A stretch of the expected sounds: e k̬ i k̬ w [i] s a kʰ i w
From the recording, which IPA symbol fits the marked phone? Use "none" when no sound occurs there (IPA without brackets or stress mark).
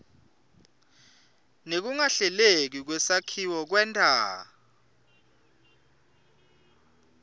ɛ